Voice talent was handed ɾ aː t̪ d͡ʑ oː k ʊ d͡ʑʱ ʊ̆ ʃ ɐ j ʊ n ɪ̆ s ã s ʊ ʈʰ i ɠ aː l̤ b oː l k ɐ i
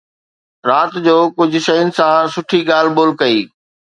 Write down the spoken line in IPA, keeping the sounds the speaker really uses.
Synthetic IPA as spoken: ɾ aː t̪ d͡ʑ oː k ʊ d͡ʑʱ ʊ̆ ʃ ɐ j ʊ n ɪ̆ s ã s ʊ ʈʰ i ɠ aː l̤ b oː l k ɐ iː